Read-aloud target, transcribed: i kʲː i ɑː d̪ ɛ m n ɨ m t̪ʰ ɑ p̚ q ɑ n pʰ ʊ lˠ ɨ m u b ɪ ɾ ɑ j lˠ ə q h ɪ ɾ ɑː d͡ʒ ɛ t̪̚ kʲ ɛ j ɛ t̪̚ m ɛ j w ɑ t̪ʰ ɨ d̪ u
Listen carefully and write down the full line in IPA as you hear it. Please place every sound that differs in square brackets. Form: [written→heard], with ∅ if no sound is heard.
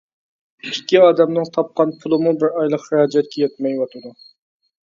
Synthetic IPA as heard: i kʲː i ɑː d̪ ɛ m n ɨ [m→ŋ] t̪ʰ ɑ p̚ q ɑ n pʰ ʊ lˠ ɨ m u b ɪ ɾ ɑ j lˠ ə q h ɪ ɾ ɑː d͡ʒ ɛ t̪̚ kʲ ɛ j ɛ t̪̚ m ɛ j w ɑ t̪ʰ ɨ d̪ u

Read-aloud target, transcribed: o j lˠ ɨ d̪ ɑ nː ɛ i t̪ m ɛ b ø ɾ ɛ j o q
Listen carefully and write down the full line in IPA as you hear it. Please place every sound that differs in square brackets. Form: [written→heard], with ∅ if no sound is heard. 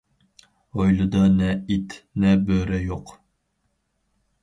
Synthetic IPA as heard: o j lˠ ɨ d̪ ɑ [nː→n] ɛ i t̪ [m→n] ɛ b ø ɾ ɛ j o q

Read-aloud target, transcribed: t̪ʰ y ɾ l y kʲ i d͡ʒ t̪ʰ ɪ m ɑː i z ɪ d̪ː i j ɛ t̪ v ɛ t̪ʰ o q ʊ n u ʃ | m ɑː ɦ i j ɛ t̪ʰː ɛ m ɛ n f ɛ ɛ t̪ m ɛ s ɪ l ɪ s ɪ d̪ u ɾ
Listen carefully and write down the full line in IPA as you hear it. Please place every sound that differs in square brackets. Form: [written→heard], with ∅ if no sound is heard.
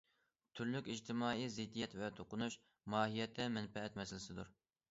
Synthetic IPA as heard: t̪ʰ y ɾ l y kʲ i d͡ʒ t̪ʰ ɪ m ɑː i z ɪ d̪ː i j ɛ t̪ v ɛ t̪ʰ o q ʊ n u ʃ | m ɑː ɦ i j ɛ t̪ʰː ɛ m ɛ n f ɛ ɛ t̪ m ɛ s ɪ l ɪ s ɪ d̪ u ɾ

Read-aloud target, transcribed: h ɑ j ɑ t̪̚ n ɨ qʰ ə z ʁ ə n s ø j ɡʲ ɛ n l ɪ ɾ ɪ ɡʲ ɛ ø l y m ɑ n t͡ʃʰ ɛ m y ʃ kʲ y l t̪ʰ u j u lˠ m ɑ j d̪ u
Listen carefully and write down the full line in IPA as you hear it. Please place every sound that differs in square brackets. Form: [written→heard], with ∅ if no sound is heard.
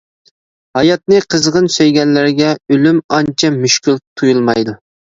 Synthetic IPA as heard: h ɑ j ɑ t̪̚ n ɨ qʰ ə z ʁ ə n s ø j ɡʲ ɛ n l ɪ ɾ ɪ ɡʲ ɛ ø l y m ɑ n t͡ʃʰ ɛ m y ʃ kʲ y l t̪ʰ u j u lˠ m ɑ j d̪ u

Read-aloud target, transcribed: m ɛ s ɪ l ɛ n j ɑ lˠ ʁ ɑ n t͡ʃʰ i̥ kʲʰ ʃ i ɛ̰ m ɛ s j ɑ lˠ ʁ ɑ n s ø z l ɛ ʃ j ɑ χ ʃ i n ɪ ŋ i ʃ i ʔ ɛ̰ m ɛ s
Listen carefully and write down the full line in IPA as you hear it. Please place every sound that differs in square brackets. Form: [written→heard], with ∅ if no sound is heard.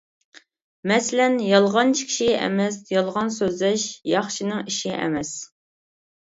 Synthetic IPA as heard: m ɛ s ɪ l ɛ n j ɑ lˠ ʁ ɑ n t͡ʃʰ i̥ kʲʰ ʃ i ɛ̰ m ɛ s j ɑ lˠ ʁ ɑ n s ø z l ɛ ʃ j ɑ χ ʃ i n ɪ ŋ i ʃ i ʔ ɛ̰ m ɛ s

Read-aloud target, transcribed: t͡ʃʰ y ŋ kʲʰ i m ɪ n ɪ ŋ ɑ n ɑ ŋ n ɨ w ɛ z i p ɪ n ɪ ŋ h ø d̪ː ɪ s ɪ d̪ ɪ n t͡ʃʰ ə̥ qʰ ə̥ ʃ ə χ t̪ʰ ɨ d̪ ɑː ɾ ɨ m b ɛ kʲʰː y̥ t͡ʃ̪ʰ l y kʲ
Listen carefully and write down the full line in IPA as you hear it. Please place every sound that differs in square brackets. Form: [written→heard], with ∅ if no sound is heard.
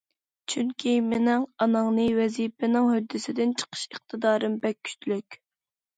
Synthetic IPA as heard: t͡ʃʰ y ŋ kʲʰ i m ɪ n ɪ ŋ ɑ n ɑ ŋ n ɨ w ɛ z i p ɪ n ɪ ŋ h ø d̪ː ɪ s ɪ d̪ ɪ n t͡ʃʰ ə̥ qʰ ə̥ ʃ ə χ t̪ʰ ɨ d̪ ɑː ɾ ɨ m b ɛ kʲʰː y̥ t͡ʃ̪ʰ l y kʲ

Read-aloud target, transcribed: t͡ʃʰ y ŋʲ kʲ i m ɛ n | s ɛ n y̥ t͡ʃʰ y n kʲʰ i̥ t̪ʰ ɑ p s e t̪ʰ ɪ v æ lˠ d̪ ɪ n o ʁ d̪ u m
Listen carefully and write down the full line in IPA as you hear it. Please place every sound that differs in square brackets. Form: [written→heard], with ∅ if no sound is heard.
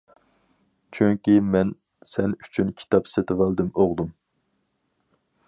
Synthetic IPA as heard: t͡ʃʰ y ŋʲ kʲ i m ɛ n | s ɛ n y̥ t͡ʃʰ y n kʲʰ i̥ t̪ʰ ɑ p s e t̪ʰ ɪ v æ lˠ d̪ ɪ [n→m] o ʁ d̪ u m

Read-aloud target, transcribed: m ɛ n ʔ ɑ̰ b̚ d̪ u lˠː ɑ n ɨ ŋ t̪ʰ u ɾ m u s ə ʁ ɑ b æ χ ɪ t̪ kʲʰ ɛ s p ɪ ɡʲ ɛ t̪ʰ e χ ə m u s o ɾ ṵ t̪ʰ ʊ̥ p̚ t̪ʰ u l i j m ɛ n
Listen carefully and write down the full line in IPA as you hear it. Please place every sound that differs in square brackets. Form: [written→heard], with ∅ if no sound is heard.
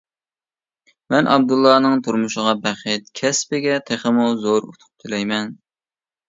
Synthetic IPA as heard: m ɛ n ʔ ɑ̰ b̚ d̪ u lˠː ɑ n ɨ ŋ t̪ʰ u ɾ m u [s→ʃ] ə ʁ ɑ b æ χ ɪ t̪ kʲʰ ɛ s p ɪ ɡʲ ɛ t̪ʰ e χ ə m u [s→z] o ɾ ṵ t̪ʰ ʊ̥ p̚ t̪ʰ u l [i→ɛ] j m ɛ n

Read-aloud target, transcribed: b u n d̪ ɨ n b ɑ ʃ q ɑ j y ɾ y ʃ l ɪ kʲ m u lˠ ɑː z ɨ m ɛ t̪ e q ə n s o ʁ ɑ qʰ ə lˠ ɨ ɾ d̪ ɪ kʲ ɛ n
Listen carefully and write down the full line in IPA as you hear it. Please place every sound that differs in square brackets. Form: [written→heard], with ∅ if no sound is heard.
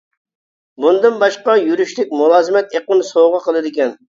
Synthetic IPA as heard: b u n d̪ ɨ n b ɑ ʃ q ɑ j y ɾ y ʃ l ɪ kʲ m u lˠ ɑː z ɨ m ɛ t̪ e q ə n s o ʁ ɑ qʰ ə lˠ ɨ [ɾ→∅] d̪ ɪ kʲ ɛ n

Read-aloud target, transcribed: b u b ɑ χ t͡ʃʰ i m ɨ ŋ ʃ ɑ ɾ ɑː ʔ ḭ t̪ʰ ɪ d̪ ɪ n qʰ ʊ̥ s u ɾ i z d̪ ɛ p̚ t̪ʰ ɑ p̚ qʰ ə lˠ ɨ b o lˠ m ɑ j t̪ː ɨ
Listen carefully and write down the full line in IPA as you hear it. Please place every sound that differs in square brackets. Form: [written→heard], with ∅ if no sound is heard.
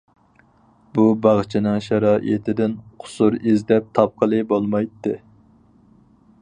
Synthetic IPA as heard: b u b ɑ [χ→ʁ] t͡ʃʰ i [m→n] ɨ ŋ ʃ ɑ ɾ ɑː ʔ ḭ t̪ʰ ɪ d̪ ɪ n qʰ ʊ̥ s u ɾ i z d̪ ɛ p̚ t̪ʰ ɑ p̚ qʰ ə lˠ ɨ b o lˠ m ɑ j t̪ː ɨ

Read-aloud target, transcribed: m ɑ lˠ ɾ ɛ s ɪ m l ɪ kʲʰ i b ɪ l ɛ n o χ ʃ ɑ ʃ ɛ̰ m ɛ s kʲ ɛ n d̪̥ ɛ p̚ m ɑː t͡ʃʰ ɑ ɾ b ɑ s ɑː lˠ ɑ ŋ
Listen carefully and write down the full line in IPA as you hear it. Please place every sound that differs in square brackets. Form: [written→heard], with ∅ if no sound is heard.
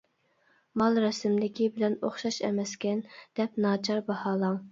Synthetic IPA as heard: m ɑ lˠ ɾ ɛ s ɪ m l ɪ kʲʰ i b ɪ l ɛ n o χ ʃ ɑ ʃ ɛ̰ m ɛ s kʲ ɛ n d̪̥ ɛ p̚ [m→n] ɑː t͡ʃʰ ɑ ɾ b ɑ [s→h] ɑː lˠ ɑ ŋ

